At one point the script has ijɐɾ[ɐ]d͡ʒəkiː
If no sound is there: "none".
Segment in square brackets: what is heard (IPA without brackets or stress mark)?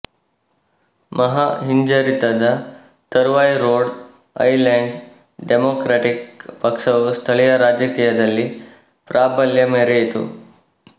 a